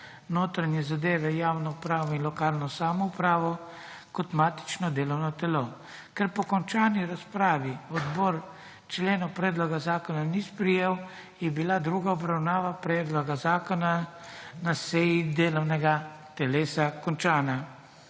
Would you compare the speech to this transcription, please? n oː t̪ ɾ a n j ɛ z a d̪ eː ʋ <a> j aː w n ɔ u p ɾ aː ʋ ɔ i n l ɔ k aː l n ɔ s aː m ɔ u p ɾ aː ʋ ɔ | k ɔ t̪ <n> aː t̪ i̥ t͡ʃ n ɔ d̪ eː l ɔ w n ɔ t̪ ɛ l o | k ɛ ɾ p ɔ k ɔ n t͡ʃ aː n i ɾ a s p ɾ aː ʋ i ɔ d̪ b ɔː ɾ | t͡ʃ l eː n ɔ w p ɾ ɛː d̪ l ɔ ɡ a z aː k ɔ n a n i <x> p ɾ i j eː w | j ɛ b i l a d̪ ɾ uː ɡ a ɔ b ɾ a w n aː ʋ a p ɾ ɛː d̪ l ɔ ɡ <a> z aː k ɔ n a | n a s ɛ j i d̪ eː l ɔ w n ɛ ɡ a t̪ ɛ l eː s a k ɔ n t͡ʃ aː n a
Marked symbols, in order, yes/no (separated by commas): no, no, no, yes